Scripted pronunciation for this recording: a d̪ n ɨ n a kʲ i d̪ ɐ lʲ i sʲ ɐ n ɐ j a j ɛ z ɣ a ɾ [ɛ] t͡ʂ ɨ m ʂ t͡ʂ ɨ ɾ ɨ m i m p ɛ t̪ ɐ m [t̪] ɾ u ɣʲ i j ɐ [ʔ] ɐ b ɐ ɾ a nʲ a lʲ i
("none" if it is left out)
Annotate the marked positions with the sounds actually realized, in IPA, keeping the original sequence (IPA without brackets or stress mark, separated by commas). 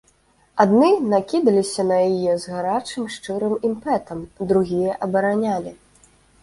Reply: a, d̪, ʔ